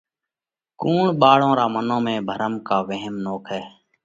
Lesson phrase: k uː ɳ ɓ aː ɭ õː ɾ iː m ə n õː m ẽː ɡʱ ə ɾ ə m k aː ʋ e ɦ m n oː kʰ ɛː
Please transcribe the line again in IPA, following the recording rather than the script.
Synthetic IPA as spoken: k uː ɳ ɓ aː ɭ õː ɾ aː m ə n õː m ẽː bʱ ə ɾ ə m k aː ʋ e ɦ m n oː kʰ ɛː